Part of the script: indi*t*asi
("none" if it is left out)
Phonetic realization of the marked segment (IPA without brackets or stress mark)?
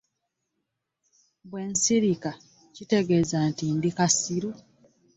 k